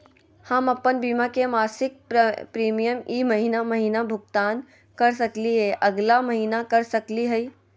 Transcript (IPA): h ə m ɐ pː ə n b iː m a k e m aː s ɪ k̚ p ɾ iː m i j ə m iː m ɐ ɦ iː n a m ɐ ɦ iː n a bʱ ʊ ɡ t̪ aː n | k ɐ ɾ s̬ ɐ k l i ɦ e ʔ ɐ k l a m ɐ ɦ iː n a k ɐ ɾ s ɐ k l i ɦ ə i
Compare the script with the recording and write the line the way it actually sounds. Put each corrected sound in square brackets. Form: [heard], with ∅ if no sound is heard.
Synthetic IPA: h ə m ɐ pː ə n b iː m a k e m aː s ɪ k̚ p ɾ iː m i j ə m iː m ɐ ɦ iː n a m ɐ ɦ iː n a bʱ ʊ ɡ t̪ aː n | k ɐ ɾ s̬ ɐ k l i ɦ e ʔ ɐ [ɡ] l a m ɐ ɦ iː n a k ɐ ɾ s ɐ k l i ɦ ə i

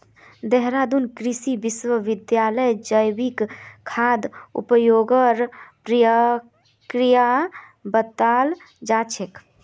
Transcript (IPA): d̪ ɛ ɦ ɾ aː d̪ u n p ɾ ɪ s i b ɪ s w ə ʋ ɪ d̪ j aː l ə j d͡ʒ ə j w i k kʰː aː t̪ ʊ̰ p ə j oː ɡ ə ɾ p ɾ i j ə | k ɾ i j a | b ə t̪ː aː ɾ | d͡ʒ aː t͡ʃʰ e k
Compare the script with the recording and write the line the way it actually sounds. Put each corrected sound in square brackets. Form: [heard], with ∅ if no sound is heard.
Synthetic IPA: d̪ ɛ ɦ ɾ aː d̪ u n [k] ɾ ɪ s i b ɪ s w ə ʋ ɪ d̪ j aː l ə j d͡ʒ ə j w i k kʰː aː [d̪] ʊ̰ p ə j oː ɡ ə ɾ p ɾ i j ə | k ɾ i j a | b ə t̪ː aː [l] | d͡ʒ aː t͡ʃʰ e k

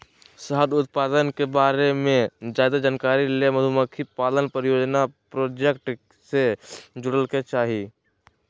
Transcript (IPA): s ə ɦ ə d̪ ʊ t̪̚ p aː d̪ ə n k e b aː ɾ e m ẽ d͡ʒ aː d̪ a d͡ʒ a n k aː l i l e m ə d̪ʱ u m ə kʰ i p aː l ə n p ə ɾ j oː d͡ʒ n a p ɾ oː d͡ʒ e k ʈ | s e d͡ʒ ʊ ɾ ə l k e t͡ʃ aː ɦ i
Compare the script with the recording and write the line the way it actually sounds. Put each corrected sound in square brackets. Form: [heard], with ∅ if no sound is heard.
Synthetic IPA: s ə ɦ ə d̪ ʊ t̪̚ p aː d̪ ə n k e b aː ɾ e m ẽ d͡ʒ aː d̪ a d͡ʒ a n k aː [ɾ] i l e m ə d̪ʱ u m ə kʰ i p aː l ə n p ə ɾ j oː d͡ʒ n a p ɾ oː d͡ʒ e k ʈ | s e d͡ʒ ʊ [ɽ] ə l k e t͡ʃ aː ɦ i

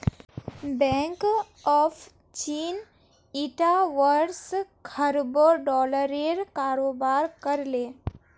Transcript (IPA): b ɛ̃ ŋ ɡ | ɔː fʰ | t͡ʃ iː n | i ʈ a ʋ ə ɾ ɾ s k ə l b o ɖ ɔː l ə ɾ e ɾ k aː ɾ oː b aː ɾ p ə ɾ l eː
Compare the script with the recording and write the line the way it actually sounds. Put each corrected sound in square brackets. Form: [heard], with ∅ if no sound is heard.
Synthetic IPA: b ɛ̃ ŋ [k] | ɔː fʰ | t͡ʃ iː n | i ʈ a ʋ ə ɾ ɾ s [kʰ] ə [ɾ] b o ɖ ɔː l ə ɾ e ɾ k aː ɾ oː b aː ɾ [k] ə ɾ l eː

